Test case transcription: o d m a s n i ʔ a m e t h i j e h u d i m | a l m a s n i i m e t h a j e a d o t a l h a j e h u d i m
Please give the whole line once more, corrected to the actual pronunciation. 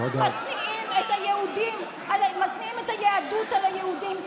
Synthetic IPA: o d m a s n i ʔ i m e t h a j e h u d i m | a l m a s n i i m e t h a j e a d u t a l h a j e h u d i m